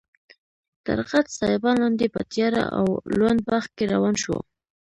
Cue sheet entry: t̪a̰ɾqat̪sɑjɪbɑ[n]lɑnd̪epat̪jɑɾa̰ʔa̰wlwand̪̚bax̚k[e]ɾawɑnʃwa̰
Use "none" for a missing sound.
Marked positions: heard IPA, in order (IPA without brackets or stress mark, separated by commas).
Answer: n, e